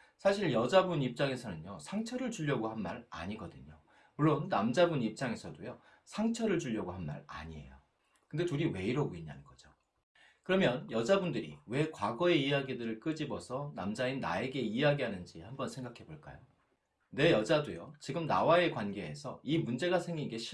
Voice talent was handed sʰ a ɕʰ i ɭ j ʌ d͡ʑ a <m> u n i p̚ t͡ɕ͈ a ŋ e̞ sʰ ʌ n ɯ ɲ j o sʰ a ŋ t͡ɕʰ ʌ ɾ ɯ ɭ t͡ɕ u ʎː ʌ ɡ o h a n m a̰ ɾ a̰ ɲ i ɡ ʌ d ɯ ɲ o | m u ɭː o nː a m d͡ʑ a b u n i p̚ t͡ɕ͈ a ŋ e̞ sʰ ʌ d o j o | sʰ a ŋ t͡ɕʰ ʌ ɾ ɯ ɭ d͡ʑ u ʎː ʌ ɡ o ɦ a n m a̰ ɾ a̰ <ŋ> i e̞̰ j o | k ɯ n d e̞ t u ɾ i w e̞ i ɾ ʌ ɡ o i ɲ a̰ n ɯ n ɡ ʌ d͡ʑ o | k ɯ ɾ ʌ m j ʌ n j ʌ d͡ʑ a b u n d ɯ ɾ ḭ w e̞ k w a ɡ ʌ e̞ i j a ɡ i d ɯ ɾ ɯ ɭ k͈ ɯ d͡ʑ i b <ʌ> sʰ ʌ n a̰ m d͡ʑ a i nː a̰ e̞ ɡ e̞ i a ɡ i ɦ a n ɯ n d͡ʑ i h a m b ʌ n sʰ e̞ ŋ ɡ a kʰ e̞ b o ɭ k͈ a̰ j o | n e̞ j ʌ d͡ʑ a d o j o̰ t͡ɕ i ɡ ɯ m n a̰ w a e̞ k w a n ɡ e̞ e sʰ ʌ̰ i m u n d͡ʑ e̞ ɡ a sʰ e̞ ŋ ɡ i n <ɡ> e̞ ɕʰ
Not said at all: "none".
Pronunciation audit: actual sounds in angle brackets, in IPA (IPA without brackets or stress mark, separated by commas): b, ɲ, ʌ, ɡ